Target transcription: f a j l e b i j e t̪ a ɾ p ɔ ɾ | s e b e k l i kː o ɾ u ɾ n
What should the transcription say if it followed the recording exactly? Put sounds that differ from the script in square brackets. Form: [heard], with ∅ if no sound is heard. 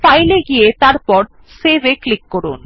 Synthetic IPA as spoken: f a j l e [ɡ] i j e t̪ a ɾ p ɔ ɾ | s e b e k l i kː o ɾ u [∅] n